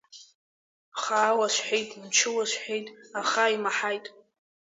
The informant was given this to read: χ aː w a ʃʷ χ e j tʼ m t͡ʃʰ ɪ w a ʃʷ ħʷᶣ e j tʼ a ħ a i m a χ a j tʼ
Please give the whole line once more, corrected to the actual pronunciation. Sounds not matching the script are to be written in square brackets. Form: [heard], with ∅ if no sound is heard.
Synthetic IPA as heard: χ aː w a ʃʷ [ħ] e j tʼ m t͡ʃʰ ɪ w a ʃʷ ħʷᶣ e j tʼ a [χ] a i m a [ħ] a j tʼ